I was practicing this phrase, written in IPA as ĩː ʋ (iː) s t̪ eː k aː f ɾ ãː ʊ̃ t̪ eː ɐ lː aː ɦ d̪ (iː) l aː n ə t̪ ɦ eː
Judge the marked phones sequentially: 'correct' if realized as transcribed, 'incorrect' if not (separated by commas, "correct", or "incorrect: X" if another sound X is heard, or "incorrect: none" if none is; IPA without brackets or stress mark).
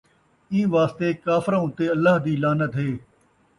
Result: incorrect: aː, correct